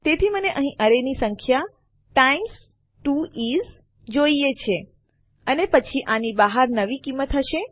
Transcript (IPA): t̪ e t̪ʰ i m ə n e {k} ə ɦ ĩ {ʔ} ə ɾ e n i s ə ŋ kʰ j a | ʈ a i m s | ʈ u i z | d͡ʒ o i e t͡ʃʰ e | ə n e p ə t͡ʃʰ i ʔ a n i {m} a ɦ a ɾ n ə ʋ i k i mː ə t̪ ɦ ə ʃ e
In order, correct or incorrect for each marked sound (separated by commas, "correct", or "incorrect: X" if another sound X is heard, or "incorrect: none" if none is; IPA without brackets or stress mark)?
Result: incorrect: ʔ, correct, incorrect: b